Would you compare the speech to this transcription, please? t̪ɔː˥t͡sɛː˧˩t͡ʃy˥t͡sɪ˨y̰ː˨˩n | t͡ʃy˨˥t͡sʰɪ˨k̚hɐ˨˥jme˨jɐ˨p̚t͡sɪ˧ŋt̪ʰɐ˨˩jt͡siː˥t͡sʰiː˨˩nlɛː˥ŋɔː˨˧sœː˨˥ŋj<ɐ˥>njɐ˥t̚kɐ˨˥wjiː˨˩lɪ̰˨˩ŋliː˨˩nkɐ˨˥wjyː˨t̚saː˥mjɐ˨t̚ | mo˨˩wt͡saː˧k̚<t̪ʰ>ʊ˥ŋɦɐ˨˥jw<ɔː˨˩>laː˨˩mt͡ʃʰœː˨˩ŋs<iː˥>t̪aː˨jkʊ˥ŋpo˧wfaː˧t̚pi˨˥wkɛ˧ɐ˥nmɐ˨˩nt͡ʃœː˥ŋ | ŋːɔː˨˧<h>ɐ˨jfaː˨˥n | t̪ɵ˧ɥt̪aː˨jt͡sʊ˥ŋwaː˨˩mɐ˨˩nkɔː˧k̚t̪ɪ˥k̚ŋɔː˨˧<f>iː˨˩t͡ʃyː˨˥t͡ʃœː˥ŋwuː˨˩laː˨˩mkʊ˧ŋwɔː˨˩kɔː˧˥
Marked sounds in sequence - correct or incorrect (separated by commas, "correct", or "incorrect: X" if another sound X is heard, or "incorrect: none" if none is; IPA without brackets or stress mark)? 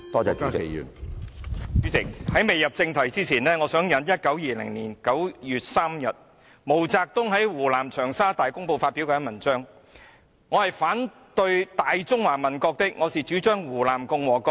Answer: incorrect: ɐ˨˧, incorrect: t̪, incorrect: uː˨˩, incorrect: aː˥, correct, incorrect: s